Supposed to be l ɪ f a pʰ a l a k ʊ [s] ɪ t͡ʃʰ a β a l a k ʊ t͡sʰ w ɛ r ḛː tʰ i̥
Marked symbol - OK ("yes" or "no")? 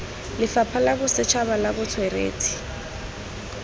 yes